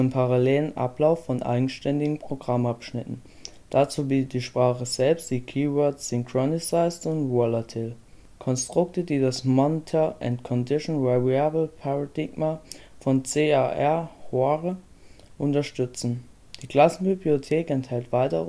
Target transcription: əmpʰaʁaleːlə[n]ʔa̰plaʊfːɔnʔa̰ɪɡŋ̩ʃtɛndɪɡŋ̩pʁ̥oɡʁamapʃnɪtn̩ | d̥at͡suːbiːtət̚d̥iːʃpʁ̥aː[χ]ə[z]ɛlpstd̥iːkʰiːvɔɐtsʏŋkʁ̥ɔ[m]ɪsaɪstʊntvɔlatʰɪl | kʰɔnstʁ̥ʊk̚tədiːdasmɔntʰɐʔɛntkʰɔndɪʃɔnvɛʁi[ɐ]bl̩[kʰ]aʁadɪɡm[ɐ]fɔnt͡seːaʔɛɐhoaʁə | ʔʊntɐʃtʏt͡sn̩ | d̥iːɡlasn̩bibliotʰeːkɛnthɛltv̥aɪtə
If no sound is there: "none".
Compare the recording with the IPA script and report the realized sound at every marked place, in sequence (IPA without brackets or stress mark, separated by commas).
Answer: n, χ, z, n, a, pʰ, a